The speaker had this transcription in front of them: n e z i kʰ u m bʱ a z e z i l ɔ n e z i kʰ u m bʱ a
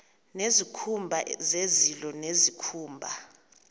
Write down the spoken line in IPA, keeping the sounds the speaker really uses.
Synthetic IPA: n e z i kʰ u m bʱ a z e z i l ɔ n e z i kʰ uː m bʱ a